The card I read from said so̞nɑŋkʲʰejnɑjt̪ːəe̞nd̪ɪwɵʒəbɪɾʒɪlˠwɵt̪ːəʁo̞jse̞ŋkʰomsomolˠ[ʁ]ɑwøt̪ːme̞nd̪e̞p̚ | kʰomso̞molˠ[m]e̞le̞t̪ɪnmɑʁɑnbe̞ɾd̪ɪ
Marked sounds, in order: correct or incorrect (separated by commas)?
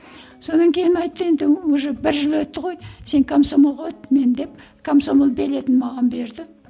correct, incorrect